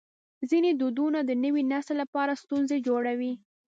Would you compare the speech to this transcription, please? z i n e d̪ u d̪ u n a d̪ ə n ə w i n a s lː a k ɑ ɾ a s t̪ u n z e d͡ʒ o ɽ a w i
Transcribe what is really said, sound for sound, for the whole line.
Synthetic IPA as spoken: z i n e d̪ u d̪ u n a d̪ ə n ə w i n a s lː a p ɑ ɾ a s t̪ u n z e d͡ʒ o ɽ a w i